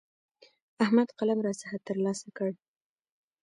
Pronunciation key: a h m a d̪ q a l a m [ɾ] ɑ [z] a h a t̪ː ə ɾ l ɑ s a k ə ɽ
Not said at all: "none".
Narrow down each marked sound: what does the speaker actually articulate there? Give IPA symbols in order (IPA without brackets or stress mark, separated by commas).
ɾ, s